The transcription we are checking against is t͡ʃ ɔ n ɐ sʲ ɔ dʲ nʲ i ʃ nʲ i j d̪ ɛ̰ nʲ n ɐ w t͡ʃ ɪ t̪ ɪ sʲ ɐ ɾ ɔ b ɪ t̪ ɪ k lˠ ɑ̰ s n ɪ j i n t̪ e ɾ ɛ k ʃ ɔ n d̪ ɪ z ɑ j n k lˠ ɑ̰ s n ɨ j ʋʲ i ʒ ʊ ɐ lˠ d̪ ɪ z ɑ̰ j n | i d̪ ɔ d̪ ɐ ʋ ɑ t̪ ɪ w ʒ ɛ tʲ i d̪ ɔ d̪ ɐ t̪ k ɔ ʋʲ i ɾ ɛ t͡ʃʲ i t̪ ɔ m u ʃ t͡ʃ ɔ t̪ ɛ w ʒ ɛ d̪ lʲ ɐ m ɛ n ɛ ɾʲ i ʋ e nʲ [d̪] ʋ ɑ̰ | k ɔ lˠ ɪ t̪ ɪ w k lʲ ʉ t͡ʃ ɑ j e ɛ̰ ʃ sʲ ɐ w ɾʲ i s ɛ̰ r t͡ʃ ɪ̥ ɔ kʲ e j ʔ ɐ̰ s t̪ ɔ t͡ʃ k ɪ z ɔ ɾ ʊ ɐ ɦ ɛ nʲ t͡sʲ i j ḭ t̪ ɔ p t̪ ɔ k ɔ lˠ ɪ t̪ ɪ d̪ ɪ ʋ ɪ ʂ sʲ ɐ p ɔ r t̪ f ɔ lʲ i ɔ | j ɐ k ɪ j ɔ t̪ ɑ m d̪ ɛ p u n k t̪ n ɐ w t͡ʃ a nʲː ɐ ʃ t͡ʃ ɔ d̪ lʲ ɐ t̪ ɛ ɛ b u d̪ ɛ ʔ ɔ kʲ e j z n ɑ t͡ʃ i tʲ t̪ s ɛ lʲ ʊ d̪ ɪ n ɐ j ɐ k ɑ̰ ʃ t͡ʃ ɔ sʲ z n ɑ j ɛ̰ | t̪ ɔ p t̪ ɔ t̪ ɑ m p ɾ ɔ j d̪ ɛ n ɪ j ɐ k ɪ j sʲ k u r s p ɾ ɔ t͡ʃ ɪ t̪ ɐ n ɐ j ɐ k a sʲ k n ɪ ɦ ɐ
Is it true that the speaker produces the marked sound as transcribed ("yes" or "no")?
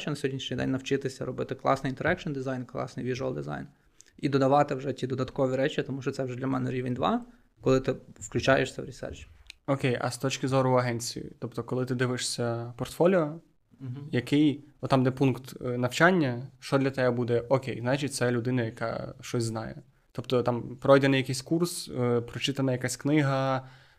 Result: yes